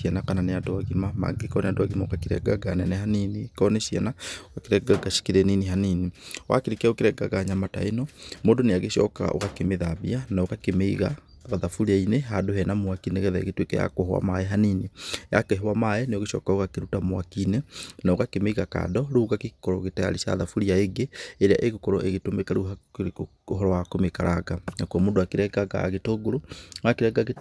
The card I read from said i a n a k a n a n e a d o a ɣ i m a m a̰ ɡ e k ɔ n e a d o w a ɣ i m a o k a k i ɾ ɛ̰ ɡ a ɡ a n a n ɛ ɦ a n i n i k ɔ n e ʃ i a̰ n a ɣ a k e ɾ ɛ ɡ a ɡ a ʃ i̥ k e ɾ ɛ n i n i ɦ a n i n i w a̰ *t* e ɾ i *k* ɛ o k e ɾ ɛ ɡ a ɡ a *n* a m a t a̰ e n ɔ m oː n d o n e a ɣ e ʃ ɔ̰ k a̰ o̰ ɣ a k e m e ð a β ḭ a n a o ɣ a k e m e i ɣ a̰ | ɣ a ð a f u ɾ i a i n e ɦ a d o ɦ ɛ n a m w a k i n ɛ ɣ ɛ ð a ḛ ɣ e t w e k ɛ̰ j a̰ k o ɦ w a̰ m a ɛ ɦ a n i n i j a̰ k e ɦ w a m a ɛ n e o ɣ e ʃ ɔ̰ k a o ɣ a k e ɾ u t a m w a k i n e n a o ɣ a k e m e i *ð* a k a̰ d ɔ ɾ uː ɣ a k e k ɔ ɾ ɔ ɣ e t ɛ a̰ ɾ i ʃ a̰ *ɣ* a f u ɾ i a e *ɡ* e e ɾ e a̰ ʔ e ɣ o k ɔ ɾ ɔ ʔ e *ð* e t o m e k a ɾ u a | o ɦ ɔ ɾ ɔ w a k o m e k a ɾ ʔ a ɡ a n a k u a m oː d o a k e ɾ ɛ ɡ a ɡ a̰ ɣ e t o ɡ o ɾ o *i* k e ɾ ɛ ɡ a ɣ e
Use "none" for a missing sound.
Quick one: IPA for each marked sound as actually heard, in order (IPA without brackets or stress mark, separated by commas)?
k, k, ɲ, ɣ, ð, ɡ, ɣ, a